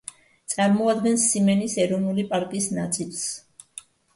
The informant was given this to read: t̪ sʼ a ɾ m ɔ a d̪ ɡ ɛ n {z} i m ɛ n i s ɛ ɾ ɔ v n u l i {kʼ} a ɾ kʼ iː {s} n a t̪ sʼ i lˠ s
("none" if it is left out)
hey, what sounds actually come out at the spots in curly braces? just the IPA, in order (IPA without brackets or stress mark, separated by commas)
s, pʼ, s